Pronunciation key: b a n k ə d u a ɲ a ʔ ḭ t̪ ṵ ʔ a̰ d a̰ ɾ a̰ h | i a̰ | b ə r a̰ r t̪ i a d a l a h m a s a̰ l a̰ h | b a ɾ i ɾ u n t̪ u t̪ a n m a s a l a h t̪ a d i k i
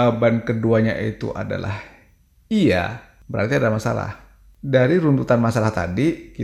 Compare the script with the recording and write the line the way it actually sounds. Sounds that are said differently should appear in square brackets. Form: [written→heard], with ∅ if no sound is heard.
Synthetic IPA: b a n k ə d u a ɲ a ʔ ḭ t̪ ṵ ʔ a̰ d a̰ [ɾ→l] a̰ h | i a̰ | b ə [r→ɾ] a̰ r t̪ i a d a l a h m a s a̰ l a̰ h | [b→d] a ɾ i ɾ u n t̪ u t̪ a n m a s a l a h t̪ a d i k i